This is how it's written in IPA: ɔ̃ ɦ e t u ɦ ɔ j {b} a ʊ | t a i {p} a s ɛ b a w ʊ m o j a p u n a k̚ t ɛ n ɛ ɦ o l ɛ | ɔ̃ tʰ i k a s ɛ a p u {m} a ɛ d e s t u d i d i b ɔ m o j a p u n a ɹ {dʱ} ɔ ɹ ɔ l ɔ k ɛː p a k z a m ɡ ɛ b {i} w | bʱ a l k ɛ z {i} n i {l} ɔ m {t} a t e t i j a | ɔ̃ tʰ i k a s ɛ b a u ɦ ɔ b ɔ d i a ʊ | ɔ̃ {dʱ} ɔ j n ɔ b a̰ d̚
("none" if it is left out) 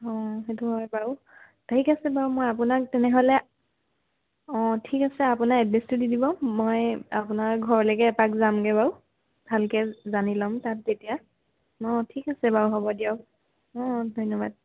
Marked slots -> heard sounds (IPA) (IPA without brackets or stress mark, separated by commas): b, k, n, ɡʱ, a, a, l, t, dʱ